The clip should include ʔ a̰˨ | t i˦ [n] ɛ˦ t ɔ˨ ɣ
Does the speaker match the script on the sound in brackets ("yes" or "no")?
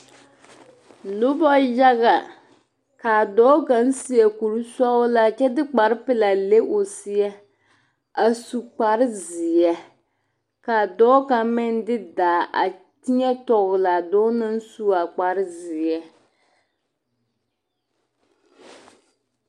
no